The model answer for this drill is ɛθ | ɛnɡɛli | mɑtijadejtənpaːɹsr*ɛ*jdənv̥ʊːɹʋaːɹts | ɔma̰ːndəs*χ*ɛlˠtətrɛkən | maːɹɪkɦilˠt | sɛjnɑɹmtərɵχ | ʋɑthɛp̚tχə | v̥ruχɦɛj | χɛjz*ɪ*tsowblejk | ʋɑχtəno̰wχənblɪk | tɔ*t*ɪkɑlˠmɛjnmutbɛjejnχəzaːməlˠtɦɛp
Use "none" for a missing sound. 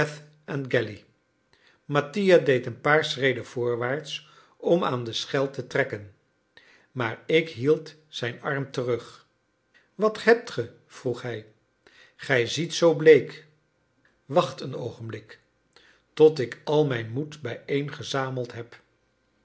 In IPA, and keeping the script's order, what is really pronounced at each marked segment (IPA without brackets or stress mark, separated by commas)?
e, χ, i, t